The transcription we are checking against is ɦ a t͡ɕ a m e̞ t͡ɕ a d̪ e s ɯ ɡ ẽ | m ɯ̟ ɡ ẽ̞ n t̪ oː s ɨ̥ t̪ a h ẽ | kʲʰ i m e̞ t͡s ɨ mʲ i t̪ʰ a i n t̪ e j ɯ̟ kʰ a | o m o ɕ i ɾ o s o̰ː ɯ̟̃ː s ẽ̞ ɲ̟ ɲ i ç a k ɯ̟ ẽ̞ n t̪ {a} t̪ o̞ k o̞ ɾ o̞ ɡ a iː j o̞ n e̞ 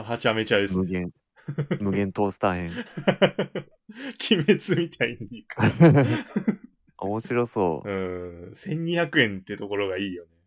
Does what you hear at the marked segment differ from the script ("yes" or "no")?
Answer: yes